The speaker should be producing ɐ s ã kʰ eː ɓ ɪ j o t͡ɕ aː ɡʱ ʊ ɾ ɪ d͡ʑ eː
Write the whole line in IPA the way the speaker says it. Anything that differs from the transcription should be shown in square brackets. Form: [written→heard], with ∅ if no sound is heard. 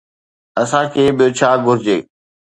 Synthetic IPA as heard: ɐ s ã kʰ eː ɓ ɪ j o [t͡ɕ→t͡ɕʰ] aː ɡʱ ʊ ɾ ɪ d͡ʑ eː